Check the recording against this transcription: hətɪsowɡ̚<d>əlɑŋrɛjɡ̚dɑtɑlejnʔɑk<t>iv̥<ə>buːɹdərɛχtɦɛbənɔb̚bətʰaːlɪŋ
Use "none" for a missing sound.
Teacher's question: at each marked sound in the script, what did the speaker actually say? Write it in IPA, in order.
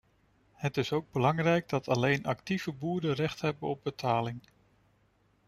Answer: b, t, ə

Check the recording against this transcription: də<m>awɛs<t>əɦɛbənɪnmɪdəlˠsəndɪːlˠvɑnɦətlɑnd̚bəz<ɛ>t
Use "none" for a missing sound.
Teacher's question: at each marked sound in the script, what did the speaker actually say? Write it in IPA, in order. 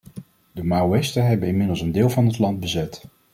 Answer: m, t, ɛ

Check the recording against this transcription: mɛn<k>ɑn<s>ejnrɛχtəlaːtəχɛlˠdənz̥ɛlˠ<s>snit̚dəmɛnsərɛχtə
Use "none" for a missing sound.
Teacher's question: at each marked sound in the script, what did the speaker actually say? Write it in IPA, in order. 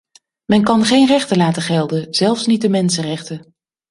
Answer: k, χ, f

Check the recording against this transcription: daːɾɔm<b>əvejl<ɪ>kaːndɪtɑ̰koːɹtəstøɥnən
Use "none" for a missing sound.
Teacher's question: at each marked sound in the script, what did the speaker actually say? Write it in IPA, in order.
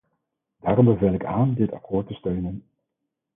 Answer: b, ɪ

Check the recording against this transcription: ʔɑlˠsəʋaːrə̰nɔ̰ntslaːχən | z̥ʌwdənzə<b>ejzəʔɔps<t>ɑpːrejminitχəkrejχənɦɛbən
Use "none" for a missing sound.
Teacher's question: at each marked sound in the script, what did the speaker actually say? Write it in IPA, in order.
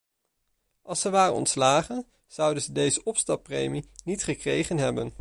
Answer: d, t

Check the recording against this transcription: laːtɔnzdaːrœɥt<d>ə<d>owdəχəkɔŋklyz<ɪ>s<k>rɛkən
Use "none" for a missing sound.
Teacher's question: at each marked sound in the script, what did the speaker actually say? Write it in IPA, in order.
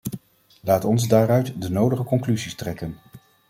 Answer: d, n, i, t

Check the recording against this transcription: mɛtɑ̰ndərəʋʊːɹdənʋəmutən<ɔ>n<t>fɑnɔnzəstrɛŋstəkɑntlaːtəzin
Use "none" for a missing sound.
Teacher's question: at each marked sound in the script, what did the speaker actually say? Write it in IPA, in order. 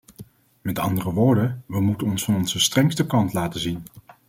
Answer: ɔ, s

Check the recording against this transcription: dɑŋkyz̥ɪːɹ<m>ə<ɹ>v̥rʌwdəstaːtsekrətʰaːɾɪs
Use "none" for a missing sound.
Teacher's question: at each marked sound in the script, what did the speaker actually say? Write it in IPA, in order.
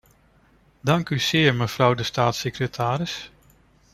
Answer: m, none

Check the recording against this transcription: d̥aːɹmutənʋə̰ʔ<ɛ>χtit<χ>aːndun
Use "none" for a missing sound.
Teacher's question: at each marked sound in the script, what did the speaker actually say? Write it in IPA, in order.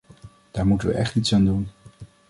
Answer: ɛ, s

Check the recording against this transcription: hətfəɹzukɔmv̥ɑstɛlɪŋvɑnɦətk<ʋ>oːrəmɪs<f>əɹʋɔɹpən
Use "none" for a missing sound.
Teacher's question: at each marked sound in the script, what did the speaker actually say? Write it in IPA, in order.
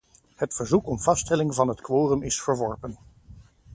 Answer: ʋ, f

